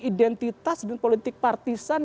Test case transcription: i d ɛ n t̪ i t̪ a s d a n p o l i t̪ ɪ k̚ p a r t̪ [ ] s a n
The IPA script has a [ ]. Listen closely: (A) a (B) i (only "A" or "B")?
B